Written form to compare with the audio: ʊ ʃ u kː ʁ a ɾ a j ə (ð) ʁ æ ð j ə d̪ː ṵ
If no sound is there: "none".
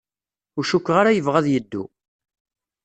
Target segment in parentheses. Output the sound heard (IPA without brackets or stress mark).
v